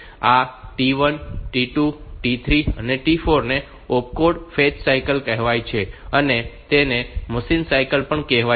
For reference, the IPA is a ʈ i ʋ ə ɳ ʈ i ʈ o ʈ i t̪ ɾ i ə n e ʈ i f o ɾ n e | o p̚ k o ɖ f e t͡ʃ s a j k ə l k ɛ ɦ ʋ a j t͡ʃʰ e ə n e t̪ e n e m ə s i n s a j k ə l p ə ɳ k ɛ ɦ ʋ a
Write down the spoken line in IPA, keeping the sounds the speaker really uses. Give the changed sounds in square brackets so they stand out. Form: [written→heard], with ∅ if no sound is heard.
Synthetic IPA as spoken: a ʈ i ʋ ə [ɳ→n] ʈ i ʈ [o→u] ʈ i [t̪→t̪ʰ] ɾ i ə n e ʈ i f o ɾ n e | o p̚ k o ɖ f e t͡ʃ s a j k ə l k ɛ ɦ ʋ a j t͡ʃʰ e ə n e t̪ e n e m ə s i n s a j k ə l p ə ɳ k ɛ ɦ ʋ a